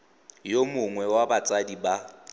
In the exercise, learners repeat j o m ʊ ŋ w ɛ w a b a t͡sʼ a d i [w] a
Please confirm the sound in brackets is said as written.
no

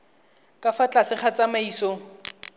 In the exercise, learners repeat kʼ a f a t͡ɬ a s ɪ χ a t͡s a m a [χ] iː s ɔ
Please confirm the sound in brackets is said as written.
no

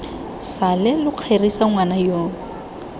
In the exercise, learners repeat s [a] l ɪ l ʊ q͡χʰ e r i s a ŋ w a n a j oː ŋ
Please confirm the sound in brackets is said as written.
yes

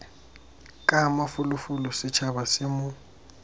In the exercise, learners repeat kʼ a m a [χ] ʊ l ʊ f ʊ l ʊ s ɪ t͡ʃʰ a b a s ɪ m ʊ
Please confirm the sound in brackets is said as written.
no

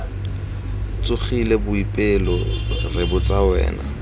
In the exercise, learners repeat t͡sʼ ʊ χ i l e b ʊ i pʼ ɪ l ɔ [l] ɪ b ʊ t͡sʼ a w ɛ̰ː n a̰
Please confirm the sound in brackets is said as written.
no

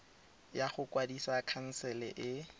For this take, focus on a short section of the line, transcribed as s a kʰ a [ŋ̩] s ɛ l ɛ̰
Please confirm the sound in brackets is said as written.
no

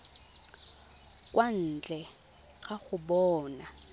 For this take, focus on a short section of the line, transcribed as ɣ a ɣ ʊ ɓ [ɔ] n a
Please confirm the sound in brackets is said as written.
no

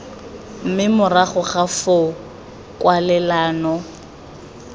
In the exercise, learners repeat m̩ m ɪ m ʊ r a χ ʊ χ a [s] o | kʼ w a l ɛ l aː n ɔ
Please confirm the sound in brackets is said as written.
no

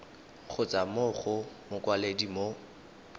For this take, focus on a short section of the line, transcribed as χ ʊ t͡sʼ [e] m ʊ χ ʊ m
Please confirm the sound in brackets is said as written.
no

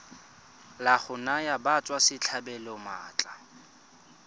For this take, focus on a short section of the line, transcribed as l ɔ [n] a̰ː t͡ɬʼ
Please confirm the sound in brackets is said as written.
no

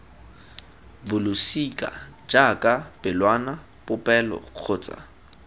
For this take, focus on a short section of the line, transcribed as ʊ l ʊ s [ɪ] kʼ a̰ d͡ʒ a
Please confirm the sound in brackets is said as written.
no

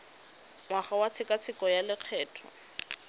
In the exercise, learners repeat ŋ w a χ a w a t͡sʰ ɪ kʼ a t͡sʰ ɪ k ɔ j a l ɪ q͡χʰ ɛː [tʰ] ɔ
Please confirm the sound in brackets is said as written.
yes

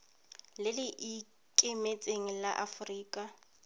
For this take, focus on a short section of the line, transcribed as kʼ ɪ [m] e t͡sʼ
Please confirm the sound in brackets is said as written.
yes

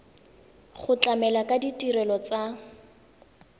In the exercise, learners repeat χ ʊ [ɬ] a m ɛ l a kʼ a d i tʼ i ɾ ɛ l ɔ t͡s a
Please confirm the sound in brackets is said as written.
no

